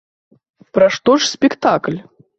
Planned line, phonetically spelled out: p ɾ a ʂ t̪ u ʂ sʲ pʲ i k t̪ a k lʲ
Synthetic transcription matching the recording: p ɾ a ʂ t̪ ɔ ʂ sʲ pʲ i k t̪ a k lʲ